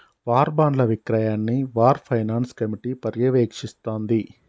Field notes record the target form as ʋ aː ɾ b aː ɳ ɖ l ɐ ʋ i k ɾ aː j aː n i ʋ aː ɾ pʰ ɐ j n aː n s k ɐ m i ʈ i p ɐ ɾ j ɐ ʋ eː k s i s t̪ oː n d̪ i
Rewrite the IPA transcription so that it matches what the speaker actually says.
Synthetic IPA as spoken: ʋ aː ɾ b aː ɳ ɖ l ɐ ʋ i k ɾ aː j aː nː i ʋ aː ɾ pʰ ɐ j n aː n s k ɐ m i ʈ i p ɐ ɾ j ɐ ʋ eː k ʂ i s t̪ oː n d̪ i